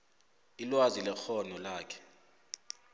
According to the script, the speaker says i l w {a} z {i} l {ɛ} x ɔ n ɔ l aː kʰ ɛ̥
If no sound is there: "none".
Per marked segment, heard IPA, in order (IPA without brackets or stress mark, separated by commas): a, i, ɛ